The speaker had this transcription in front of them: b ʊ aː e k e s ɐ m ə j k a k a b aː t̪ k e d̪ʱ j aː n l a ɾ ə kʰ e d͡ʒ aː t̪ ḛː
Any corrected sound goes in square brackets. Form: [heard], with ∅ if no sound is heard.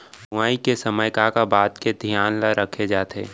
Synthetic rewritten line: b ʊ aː [i] k e s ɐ m ə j k a k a b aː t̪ k e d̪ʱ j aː n l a ɾ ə kʰ e d͡ʒ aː t̪ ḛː